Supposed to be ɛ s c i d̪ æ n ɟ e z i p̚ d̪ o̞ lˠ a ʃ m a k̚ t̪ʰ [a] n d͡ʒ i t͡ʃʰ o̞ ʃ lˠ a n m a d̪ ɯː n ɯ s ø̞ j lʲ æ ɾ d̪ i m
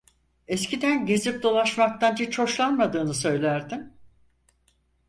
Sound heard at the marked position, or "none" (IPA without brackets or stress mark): a